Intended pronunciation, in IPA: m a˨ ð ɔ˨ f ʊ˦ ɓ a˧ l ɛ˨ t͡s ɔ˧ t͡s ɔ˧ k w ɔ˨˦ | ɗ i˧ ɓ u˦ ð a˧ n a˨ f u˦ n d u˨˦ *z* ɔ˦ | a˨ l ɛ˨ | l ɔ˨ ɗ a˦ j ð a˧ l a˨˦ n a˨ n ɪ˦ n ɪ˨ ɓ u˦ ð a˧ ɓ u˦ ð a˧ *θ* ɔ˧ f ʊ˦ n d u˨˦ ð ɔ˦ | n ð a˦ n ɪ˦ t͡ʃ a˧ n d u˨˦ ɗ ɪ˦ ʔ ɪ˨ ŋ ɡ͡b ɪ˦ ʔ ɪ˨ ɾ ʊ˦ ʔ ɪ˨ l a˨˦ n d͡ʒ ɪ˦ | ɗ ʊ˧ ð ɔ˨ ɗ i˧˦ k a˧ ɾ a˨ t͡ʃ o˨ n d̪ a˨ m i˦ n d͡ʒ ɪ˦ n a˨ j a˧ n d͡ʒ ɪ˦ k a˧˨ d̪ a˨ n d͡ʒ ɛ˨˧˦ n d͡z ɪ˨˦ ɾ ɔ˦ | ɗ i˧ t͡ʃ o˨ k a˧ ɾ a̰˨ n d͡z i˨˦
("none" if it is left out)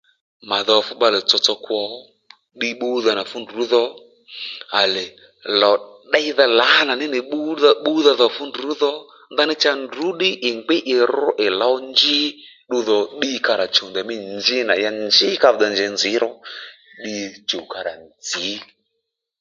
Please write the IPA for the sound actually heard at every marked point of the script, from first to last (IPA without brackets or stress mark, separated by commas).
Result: ð, ð